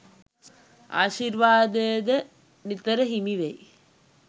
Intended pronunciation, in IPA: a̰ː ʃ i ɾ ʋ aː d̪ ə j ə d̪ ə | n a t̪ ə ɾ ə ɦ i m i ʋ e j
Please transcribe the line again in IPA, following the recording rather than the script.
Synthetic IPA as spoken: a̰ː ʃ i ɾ ʋ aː d̪ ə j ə d̪ ə | n i t̪ ə ɾ ə ɦ i m i ʋ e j